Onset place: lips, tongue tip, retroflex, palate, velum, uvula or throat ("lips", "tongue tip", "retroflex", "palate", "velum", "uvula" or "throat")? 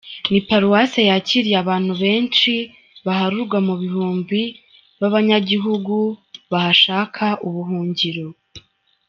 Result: tongue tip